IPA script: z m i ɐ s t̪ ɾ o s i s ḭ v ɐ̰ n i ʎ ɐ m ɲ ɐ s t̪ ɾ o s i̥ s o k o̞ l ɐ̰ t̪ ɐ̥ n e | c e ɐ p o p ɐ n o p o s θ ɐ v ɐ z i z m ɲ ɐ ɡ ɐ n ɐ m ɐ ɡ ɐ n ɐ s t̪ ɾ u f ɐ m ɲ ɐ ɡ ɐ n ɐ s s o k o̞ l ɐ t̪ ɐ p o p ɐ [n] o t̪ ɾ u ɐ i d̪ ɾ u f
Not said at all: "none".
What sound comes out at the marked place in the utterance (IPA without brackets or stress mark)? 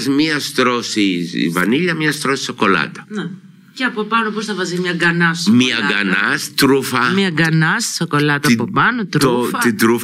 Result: n